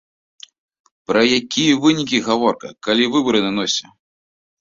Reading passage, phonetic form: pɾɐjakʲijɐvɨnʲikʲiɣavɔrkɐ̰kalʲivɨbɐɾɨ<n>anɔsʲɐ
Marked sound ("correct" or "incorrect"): correct